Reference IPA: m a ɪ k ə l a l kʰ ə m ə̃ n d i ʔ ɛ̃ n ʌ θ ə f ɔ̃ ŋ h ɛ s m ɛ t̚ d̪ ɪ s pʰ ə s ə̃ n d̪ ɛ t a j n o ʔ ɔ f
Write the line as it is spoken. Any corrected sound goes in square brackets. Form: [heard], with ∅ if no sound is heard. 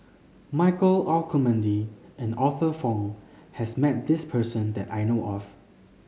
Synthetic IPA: m a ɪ k ə l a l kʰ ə m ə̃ n d i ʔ ɛ̃ n [ɔ] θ ə f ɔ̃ ŋ h ɛ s m ɛ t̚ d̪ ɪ s pʰ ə s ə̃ n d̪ ɛ t a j n o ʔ ɔ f